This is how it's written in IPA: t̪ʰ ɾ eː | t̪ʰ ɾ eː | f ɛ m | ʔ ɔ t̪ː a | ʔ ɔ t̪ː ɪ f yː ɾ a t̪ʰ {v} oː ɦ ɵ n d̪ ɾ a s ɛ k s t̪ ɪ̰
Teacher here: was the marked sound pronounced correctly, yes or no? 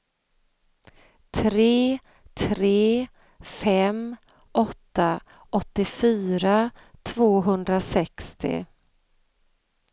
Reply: yes